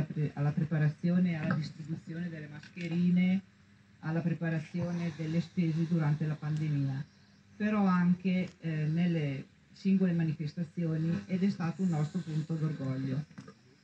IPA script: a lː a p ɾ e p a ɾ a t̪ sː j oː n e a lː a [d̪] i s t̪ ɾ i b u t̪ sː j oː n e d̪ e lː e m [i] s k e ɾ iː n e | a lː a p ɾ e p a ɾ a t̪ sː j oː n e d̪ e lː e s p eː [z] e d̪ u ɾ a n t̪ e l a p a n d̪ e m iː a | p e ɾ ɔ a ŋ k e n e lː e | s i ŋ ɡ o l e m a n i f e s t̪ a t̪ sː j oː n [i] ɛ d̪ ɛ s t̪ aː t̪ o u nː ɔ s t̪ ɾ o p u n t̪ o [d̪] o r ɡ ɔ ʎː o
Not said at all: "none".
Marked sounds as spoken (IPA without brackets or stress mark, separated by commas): d̪, a, z, i, d̪